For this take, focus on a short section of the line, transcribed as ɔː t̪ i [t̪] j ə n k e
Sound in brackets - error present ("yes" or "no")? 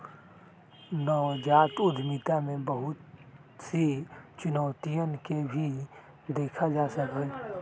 yes